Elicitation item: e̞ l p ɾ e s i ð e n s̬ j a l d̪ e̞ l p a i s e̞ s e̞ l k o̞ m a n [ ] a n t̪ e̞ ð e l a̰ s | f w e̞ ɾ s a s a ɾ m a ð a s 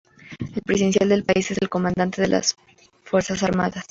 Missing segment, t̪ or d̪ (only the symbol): d̪